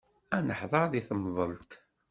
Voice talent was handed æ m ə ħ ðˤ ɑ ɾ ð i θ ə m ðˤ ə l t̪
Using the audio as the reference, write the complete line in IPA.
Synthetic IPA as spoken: æ n ə ħ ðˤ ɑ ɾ ð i θ ə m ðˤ ə l t̪